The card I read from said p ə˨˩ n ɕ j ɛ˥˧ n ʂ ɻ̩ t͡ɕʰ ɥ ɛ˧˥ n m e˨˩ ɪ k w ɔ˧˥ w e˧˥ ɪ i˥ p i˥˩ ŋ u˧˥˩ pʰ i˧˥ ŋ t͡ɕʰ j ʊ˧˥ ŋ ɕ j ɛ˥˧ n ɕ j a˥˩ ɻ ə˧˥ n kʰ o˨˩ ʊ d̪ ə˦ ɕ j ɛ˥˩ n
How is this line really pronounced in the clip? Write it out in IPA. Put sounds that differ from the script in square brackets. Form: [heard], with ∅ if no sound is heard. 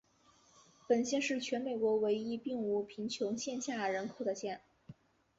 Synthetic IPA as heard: p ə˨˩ n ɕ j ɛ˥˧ n ʂ ɻ̩ t͡ɕʰ ɥ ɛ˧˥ n m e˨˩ ɪ k w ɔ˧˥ w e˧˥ ɪ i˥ p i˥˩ ŋ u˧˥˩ pʰ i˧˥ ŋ t͡ɕʰ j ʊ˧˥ ŋ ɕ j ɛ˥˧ n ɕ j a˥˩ ɻ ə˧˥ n kʰ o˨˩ ʊ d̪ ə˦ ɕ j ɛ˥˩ n